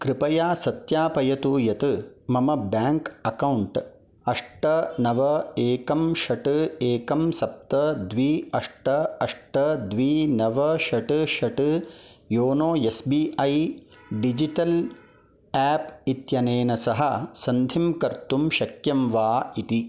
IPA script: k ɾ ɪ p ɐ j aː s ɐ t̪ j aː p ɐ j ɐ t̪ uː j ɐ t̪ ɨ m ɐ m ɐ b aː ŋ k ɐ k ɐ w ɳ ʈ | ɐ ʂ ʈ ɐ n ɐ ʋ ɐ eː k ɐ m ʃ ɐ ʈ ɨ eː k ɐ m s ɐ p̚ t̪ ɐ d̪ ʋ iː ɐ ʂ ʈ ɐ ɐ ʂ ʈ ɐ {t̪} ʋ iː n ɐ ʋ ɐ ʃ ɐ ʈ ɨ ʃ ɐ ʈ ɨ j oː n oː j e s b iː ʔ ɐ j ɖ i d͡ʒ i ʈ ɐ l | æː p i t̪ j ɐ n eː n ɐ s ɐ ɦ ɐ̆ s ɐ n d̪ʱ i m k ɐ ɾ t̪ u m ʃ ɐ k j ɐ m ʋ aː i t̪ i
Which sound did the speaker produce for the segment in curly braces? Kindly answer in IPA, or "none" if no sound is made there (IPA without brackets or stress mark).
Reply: d̪